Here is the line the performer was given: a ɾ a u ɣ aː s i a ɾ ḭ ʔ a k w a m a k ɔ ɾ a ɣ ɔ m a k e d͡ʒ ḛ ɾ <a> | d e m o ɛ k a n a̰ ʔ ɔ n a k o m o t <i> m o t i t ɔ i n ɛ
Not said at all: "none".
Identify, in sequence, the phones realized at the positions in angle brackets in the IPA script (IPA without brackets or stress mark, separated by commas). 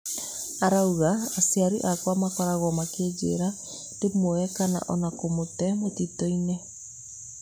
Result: a, ɛ